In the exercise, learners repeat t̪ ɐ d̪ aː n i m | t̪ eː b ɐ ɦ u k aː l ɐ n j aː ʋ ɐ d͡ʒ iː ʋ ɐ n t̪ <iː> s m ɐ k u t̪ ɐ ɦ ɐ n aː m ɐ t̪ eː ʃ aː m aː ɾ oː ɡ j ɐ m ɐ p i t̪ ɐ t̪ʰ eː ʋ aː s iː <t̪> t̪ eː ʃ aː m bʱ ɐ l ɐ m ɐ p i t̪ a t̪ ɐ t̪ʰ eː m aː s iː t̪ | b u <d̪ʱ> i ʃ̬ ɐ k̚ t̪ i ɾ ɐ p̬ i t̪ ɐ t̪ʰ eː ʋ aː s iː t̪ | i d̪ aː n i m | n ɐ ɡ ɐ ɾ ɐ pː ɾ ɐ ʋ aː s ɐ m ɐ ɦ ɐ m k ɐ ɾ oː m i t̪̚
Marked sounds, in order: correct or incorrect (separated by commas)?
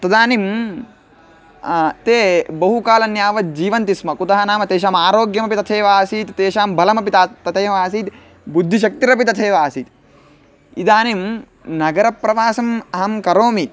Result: incorrect, correct, incorrect